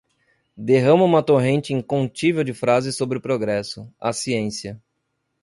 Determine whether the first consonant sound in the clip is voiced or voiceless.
voiced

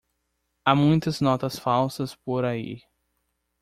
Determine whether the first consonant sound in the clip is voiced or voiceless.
voiced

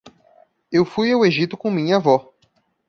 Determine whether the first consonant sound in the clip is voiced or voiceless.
voiced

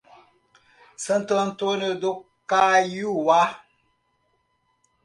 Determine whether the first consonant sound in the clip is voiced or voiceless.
voiceless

